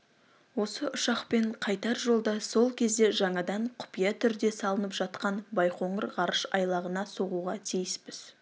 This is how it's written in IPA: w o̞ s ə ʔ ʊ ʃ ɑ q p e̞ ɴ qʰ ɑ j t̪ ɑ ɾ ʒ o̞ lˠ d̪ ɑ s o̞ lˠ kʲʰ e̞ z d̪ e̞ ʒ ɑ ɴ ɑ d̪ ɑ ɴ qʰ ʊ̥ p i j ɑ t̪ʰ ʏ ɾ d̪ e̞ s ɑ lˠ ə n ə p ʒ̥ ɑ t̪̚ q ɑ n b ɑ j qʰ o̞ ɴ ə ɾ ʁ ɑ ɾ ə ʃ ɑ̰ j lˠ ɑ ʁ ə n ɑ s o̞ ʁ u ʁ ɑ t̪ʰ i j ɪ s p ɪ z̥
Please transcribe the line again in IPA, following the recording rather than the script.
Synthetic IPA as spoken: w o̞ s ə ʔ ʊ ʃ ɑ q p e̞ ɴ qʰ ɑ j t̪ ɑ ɾ ʒ o̞ lˠ d̪ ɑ s o̞ lˠ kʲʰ e̞ z d̪ e̞ ʒ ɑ ɴ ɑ d̪ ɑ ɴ qʰ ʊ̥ p i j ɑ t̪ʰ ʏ ɾ d̪ e̞ s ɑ lˠ ə n ə p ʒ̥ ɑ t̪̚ q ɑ n b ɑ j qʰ o̞ ɴ ə ɾ ʁ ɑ ɾ ə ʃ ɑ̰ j lˠ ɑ ʁ ə n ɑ s o̞ ʁ u ʁ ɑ t̪ʰ i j ɪ s p ɪ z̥